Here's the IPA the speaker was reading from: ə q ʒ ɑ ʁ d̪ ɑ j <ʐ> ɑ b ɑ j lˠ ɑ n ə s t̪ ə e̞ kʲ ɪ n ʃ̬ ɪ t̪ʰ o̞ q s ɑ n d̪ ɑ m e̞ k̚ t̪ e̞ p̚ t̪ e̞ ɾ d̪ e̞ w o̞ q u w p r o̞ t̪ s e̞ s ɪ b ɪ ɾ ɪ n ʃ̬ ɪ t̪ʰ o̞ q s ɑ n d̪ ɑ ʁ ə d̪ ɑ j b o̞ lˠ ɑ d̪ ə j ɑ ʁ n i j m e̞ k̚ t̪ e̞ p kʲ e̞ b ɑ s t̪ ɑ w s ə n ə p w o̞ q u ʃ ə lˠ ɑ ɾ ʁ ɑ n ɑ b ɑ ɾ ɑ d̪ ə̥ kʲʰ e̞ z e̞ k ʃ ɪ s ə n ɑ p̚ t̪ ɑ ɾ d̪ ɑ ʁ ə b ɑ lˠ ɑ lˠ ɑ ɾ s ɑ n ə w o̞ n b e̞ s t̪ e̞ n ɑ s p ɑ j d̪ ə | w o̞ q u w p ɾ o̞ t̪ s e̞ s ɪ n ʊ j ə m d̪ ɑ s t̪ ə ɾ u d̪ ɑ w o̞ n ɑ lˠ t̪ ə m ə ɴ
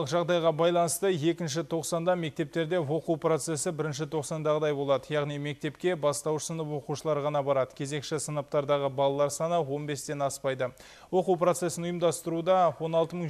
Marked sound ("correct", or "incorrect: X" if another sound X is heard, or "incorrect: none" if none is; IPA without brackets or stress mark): incorrect: ʁ